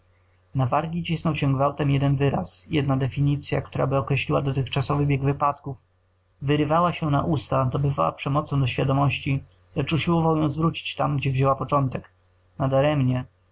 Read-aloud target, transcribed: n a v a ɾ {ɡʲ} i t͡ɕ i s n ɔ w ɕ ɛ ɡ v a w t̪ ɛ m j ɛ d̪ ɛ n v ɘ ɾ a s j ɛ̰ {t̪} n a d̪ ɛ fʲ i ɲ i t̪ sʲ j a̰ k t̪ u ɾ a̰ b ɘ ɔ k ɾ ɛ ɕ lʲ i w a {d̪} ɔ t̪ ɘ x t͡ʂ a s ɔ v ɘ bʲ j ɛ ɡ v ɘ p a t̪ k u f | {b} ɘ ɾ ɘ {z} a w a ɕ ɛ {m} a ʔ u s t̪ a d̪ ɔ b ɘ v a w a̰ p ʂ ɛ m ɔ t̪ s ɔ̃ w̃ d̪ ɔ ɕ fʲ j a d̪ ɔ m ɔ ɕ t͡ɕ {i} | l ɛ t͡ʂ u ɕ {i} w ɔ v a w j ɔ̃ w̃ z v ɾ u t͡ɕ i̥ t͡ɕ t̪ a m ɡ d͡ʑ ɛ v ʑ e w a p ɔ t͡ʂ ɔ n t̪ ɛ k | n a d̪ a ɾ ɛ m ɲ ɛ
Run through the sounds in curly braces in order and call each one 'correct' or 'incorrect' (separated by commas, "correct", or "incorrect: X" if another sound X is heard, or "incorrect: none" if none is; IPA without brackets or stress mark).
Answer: correct, incorrect: d̪, correct, incorrect: v, incorrect: v, incorrect: n, correct, correct